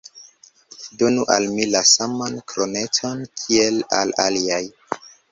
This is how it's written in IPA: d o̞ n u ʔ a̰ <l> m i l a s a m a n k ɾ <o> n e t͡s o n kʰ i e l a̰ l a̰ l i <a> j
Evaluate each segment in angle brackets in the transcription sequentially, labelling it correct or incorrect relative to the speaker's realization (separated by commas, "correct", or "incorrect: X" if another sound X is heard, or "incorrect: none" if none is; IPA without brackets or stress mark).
correct, correct, correct